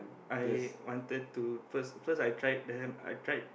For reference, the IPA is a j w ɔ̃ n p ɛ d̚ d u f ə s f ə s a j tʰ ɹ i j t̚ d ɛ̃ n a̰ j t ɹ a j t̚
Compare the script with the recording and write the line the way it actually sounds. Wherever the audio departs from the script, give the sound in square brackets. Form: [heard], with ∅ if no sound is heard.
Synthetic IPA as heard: a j w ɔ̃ n [t] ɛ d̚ [t] u f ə s f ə s a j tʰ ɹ [a] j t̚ d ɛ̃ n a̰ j t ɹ a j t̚

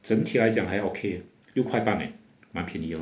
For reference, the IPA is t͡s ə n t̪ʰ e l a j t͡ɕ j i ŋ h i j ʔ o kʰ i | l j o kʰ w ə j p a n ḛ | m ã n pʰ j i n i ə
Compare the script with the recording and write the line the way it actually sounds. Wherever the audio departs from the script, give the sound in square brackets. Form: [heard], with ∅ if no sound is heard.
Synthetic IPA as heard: t͡s ə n t̪ʰ [i] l a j t͡ɕ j [a] ŋ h [a] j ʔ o kʰ [e] | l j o kʰ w [a] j p a n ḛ | m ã n pʰ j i n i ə

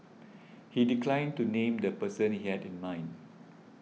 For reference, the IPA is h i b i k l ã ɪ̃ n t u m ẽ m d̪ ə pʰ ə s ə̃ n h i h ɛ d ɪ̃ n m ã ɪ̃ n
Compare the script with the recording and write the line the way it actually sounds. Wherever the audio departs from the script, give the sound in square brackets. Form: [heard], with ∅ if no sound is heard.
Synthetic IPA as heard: h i [d] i k l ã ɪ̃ n t u [n] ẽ m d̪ ə [p] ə s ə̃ n h i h ɛ d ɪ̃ n m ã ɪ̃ n

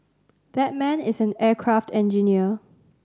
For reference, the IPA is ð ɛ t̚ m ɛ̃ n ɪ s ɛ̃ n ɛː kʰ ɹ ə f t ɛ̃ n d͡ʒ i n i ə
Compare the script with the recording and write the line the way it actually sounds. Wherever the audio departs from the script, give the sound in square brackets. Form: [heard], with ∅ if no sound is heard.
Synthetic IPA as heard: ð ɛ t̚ m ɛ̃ n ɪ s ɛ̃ n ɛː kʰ ɹ [a] f t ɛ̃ n d͡ʒ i n i ə

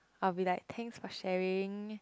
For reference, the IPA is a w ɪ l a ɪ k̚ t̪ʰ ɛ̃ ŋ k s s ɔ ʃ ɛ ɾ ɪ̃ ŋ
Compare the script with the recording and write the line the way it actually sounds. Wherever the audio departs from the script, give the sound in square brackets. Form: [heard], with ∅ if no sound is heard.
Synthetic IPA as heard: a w [i] l a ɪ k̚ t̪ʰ ɛ̃ ŋ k s [f] ɔ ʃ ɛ [ɹ] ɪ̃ ŋ

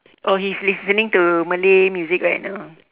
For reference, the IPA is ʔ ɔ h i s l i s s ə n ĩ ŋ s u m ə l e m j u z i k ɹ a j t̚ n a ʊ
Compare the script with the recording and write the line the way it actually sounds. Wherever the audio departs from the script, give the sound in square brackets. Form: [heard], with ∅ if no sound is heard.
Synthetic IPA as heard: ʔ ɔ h i s l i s s ə n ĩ ŋ [t] u m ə l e m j u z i k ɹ a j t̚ n a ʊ

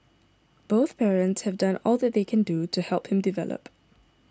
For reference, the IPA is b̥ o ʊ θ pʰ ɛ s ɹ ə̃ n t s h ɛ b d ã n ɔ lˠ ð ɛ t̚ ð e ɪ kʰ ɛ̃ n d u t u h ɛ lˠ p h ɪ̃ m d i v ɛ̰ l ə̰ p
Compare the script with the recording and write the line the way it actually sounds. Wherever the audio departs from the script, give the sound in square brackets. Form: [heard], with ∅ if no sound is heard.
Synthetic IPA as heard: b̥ o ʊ θ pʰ ɛ [∅] ɹ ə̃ n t s h ɛ [v] d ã n ɔ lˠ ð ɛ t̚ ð e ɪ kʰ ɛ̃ n d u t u h ɛ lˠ p h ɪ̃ m d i v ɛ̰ l ə̰ p

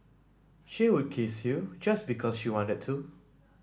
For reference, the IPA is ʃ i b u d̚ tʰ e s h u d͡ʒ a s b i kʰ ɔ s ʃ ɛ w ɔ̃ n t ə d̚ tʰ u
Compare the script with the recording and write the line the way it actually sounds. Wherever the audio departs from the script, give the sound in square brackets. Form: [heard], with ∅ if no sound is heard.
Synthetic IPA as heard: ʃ i [w] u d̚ [kʰ] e s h u d͡ʒ a s b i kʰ ɔ s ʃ [i] w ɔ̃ n t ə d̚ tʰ u

